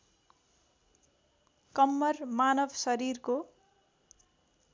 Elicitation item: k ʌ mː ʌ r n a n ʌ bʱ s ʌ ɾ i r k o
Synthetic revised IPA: k ʌ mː ʌ r m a n ʌ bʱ s ʌ ɾ i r k o